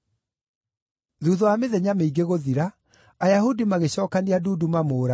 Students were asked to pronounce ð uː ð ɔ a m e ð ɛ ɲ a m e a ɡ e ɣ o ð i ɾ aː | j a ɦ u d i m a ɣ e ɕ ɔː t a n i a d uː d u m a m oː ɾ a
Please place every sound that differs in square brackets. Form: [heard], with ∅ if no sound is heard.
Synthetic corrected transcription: ð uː ð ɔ a m e ð ɛ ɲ a m e [i] ɡ e ɣ o ð i ɾ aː | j a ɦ u d i m a ɣ e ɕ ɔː [k] a n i a d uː d u m a m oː ɾ a